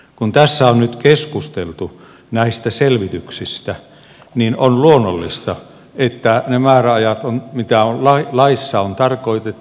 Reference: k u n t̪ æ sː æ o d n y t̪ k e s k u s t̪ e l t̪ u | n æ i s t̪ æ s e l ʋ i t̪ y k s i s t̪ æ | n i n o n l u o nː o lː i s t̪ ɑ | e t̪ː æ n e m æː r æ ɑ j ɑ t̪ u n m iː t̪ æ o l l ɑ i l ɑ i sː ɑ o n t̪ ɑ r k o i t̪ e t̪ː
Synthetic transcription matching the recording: k u n t̪ æ sː æ o n n y t̪ k e s k u s t̪ e l t̪ u | n æ i s t̪ æ s e l ʋ i t̪ y k s i s t̪ æ | n i n o n l u o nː o lː i s t̪ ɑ | e t̪ː æ n e m æː r æ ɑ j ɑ t̪ o n m i t̪ æ o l l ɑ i l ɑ i sː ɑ o n t̪ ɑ r k o i t̪ e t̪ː